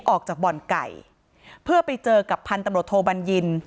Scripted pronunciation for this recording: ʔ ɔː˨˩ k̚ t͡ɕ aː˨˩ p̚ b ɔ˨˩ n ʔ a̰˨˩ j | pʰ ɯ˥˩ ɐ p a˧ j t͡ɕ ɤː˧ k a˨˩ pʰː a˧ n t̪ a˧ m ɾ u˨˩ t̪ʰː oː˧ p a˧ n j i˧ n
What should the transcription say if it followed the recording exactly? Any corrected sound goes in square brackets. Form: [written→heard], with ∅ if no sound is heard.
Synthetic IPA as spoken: ʔ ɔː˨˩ k̚ t͡ɕ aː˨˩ [p̚→k̚] b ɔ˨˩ n [ʔ→k] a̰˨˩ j | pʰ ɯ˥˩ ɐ p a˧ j t͡ɕ ɤː˧ k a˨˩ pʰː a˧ n t̪ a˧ m ɾ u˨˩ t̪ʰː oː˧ [p→b] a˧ n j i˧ n